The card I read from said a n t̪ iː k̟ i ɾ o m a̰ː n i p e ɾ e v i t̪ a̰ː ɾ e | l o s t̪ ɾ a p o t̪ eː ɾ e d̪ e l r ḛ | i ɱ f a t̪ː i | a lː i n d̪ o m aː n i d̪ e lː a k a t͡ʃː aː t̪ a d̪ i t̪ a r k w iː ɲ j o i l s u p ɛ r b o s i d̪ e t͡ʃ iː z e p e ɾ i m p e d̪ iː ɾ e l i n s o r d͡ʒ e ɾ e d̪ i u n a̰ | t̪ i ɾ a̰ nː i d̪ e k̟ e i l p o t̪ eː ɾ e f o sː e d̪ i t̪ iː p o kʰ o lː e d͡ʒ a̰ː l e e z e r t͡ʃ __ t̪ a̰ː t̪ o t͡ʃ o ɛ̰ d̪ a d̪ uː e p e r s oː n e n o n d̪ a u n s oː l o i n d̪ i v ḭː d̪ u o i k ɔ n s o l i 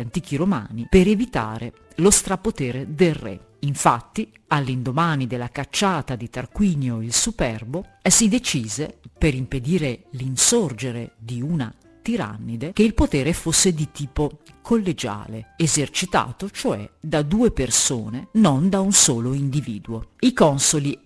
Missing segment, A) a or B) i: B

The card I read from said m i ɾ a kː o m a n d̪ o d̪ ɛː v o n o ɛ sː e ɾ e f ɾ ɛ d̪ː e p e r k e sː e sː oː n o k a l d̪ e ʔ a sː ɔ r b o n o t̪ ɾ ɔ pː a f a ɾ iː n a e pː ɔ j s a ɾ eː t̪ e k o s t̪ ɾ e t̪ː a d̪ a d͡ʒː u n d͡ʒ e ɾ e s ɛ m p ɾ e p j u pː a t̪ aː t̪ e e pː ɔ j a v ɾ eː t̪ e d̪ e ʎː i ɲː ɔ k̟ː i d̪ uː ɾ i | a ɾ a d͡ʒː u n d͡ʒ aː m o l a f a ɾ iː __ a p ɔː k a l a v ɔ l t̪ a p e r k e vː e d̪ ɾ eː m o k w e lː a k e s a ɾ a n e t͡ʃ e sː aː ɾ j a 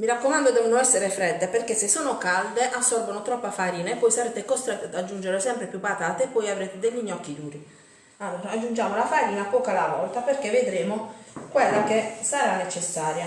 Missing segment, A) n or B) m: A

